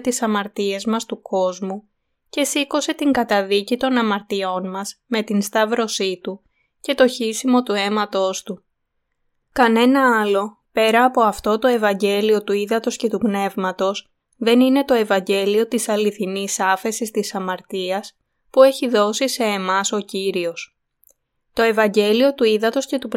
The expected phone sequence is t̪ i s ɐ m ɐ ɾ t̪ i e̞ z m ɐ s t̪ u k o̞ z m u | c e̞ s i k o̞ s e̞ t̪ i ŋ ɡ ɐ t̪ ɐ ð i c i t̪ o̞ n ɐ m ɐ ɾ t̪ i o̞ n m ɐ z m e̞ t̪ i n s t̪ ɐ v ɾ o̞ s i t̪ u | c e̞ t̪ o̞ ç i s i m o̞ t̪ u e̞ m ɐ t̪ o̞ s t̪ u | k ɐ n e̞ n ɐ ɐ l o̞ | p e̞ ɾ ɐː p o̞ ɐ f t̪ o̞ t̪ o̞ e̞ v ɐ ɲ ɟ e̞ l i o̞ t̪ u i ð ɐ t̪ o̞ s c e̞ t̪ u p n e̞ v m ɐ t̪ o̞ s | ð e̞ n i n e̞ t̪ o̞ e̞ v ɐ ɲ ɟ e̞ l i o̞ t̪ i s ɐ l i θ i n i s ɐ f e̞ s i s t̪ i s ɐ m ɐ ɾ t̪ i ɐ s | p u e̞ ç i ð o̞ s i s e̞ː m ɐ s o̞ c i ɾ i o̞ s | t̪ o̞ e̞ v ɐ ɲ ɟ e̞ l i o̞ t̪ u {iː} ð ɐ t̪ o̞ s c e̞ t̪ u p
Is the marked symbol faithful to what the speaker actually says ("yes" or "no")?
no